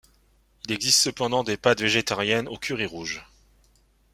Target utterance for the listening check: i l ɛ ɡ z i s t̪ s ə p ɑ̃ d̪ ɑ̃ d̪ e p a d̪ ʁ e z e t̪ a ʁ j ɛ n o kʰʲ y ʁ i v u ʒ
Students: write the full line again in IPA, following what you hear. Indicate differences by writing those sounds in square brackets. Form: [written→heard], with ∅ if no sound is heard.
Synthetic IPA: i l ɛ ɡ z i s t̪ s ə p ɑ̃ d̪ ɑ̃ d̪ e p a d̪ [ʁ→v] e [z→ʒ] e t̪ a ʁ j ɛ n o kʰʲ y ʁ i [v→ʁ] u ʒ

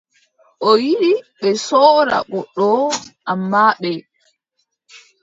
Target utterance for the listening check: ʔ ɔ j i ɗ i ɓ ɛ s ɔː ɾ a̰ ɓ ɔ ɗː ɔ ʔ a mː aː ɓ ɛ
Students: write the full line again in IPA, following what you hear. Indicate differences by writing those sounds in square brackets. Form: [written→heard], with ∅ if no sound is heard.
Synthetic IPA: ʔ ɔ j i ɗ i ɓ ɛ s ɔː ɾ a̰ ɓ ɔ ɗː ɔ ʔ a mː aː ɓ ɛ

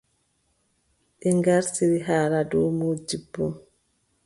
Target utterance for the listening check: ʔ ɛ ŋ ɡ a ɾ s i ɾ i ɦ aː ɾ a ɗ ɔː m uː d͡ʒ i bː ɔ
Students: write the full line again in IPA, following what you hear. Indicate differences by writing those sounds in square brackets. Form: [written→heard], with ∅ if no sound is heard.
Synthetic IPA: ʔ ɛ ŋ ɡ a ɾ s i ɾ i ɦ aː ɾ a [ɗ→d] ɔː m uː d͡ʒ i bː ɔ

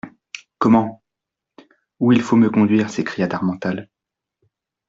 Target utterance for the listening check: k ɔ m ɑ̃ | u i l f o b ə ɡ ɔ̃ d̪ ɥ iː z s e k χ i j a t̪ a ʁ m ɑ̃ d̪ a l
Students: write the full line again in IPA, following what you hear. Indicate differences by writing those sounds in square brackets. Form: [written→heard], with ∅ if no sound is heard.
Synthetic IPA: k ɔ m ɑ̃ | u i l f o [b→m] ə [ɡ→k] ɔ̃ d̪ ɥ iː [z→ʁ] s e k χ i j a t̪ a ʁ m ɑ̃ [d̪→t̪] a l

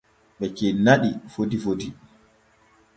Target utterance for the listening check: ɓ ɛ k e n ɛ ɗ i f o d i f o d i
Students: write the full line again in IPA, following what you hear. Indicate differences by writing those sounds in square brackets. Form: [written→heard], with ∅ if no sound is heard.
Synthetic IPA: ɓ ɛ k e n [ɛ→a] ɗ i f o d i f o d i

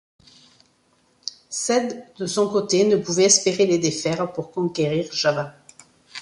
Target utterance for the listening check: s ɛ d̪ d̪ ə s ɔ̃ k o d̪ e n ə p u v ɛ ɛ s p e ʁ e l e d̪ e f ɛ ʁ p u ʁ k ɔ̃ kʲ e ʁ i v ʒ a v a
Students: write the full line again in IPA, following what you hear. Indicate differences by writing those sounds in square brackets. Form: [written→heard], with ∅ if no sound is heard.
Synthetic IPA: s ɛ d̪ d̪ ə s ɔ̃ k o [d̪→t̪] e n ə p u v ɛ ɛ s p e ʁ e l e d̪ e f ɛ ʁ p u ʁ k ɔ̃ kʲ e ʁ i [v→ʁ] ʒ a v a

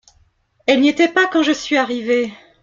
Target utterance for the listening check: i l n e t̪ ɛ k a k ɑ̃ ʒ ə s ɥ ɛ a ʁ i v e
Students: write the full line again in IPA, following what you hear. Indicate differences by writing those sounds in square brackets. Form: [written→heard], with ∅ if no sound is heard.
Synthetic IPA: [i→ɛ] l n e t̪ ɛ [k→p] a k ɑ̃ ʒ ə s ɥ [ɛ→i] a ʁ i v e

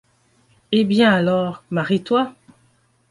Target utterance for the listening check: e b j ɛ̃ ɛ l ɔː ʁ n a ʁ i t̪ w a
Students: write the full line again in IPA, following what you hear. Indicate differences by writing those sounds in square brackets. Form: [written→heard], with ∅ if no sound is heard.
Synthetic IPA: e b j ɛ̃ [ɛ→a] l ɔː ʁ [n→m] a ʁ i t̪ w a

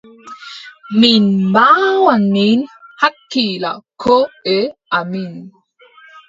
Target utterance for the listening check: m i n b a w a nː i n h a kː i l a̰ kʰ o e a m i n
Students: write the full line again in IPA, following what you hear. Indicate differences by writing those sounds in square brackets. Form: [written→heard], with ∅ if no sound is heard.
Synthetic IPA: m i n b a w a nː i n h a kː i l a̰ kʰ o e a m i n

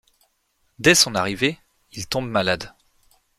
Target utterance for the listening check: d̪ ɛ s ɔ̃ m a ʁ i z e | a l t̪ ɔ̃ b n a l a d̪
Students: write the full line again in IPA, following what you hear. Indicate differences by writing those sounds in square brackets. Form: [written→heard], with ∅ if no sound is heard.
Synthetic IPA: d̪ ɛ s ɔ̃ [m→n] a ʁ i [z→v] e | [a→i] l t̪ ɔ̃ b [n→m] a l a d̪

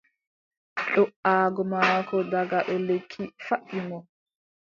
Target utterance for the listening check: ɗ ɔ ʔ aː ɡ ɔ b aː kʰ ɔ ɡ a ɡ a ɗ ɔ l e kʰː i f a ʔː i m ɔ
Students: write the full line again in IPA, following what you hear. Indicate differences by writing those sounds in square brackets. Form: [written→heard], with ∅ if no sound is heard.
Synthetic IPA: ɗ ɔ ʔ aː ɡ ɔ [b→m] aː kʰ ɔ [ɡ→d] a ɡ a ɗ ɔ l e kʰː i f a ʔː i m ɔ

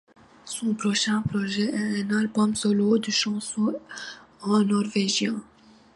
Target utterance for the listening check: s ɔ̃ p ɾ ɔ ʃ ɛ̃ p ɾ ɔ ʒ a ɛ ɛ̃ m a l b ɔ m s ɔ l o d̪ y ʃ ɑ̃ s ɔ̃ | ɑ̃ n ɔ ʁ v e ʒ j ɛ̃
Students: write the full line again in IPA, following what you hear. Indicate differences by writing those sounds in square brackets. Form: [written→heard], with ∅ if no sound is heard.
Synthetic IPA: s ɔ̃ p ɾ ɔ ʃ ɛ̃ p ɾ ɔ ʒ [a→ɛ] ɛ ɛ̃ [m→n] a l b ɔ m s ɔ l o d̪ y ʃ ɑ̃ s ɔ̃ | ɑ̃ n ɔ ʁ v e ʒ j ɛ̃

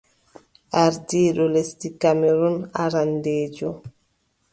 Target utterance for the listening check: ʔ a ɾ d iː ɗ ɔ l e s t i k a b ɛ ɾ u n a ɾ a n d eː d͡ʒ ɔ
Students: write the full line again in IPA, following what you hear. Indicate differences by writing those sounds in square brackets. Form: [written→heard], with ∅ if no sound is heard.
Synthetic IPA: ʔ a ɾ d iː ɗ ɔ l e s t i k a [b→m] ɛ ɾ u n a ɾ a n d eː d͡ʒ ɔ

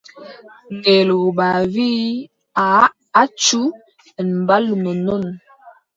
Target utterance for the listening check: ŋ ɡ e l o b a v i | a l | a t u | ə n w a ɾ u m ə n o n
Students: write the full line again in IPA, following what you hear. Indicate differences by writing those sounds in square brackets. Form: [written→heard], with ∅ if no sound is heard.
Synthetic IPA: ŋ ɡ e l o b a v i | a [l→∅] | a [t→t͡ʃ] u | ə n [w→b] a [ɾ→l] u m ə n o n

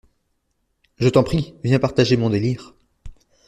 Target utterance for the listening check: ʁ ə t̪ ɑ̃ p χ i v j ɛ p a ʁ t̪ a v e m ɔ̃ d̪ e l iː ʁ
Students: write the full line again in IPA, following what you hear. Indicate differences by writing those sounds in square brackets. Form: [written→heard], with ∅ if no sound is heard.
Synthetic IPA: [ʁ→ʒ] ə t̪ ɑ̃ p χ i v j [ɛ→ɛ̃] p a ʁ t̪ a [v→ʒ] e m ɔ̃ d̪ e l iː ʁ

